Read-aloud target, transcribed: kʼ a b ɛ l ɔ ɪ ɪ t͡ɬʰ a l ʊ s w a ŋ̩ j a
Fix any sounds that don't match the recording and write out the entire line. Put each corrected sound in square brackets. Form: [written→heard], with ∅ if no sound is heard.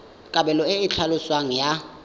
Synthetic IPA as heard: kʼ a b ɛ l ɔ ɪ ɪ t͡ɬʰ a l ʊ s w a ŋ̩ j a